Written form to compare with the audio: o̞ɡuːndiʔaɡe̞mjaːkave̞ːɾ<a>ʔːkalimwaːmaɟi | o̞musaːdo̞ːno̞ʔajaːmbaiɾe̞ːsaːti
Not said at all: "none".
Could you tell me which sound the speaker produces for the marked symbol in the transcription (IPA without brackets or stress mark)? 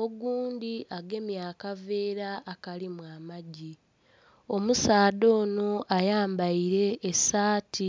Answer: a